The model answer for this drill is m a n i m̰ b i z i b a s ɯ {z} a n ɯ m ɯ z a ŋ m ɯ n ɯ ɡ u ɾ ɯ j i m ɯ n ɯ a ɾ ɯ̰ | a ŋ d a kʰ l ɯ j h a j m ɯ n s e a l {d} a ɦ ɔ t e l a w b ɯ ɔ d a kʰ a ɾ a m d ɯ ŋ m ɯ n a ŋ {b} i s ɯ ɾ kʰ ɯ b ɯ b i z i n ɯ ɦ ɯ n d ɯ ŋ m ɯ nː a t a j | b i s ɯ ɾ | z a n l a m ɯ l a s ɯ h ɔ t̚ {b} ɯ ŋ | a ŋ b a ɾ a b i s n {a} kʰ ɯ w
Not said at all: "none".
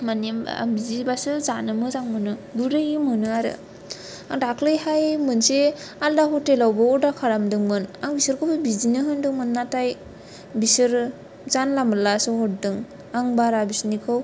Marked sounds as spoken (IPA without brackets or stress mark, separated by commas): z, d, b, d, i